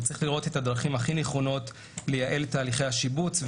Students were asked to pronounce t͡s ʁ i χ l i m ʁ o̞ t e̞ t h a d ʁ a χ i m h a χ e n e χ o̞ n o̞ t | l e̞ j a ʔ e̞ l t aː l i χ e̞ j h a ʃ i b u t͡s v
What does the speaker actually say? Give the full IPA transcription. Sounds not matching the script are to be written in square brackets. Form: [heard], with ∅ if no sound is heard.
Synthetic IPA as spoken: t͡s ʁ i χ l i [∅] ʁ o̞ t e̞ t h a d ʁ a χ i m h a χ [i] n e χ o̞ n o̞ t | l e̞ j a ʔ e̞ l t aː l i χ e̞ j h a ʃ i b u t͡s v